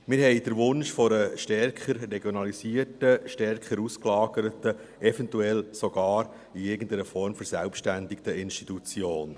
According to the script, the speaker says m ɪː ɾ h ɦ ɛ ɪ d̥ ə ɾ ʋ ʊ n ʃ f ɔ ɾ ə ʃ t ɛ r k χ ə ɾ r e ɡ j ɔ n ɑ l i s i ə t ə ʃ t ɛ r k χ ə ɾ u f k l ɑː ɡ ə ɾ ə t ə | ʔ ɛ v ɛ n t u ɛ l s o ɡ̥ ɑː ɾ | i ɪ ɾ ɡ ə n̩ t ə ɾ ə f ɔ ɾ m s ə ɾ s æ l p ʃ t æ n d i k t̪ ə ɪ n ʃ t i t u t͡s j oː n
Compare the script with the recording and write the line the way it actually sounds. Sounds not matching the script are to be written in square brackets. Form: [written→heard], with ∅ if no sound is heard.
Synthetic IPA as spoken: m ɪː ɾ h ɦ ɛ ɪ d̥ ə ɾ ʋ ʊ n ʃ f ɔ ɾ ə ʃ t ɛ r k χ ə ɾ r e ɡ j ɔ n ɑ l i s i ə t ə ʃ t ɛ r k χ ə ɾ u [f→s] k l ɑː ɡ ə ɾ ə t ə | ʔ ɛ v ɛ n t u ɛ l s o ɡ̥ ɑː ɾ | i ɪ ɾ ɡ ə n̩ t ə ɾ ə f ɔ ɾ m [s→f] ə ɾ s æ l p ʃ t æ n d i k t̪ ə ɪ n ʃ t i t u t͡s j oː n